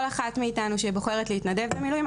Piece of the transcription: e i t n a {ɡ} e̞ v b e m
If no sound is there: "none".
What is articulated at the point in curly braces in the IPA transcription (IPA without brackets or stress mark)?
d